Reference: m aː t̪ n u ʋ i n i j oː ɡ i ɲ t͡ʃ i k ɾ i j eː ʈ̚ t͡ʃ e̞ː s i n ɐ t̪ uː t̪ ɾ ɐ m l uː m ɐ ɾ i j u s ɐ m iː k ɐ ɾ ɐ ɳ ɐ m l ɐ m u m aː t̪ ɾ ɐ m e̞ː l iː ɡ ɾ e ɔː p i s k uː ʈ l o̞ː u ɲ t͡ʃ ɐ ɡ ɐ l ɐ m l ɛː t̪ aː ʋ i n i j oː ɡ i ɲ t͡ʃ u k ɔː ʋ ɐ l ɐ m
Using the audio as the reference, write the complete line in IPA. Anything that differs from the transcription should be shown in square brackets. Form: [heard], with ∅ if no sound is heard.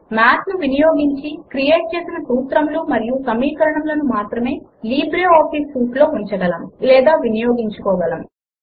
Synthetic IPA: m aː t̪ n u ʋ i n i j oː ɡ i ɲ t͡ʃ i k ɾ i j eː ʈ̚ t͡ʃ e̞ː s i n ɐ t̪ uː t̪ ɾ ɐ m l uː m ɐ ɾ i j u s ɐ m iː k ɐ ɾ ɐ ɳ ɐ m l ɐ [n] u m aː t̪ ɾ ɐ m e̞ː l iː [b] ɾ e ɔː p i s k uː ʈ l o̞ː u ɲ t͡ʃ ɐ ɡ ɐ l ɐ m l ɛː [d̪] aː ʋ i n i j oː ɡ i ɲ t͡ʃ u k ɔː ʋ ɐ l ɐ m